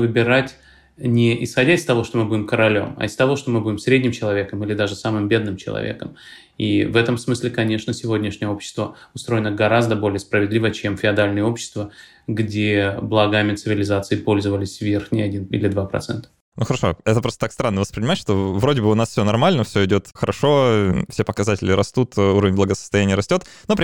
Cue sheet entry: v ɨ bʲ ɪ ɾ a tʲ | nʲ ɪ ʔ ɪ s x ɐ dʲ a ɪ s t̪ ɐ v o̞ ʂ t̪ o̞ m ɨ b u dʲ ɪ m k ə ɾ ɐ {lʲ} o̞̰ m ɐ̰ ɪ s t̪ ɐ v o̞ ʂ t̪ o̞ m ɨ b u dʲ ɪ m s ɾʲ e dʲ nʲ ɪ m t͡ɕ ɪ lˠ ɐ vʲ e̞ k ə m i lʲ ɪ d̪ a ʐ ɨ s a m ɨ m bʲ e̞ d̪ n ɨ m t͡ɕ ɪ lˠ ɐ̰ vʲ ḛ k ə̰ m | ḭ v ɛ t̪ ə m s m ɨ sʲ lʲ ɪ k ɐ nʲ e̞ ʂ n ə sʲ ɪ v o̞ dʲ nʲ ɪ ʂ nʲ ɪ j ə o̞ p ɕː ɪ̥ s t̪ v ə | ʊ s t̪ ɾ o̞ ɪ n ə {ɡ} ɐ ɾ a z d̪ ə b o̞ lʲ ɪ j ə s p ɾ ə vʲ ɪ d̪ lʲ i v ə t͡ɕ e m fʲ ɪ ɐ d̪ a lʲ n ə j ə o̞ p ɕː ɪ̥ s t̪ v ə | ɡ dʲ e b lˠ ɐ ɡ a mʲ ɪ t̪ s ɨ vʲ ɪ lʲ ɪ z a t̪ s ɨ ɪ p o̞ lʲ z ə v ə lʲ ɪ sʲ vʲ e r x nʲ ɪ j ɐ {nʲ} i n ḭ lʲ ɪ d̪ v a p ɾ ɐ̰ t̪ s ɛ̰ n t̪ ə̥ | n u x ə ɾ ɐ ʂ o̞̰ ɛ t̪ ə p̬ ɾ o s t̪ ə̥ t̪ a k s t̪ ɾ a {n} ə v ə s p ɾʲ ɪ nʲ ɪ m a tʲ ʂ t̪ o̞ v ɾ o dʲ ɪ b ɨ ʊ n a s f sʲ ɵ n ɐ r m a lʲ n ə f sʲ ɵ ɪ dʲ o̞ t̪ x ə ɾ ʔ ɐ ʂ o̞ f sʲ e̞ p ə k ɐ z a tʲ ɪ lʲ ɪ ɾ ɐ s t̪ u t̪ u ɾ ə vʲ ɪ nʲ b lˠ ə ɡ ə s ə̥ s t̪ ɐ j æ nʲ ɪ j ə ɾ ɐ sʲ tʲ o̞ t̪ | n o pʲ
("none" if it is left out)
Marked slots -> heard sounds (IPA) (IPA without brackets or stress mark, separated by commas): lʲ, ɡ, dʲ, nː